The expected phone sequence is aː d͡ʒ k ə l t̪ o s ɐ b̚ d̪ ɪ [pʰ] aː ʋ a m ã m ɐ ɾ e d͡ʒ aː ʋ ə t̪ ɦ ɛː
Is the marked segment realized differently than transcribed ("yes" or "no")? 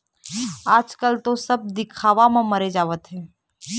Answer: yes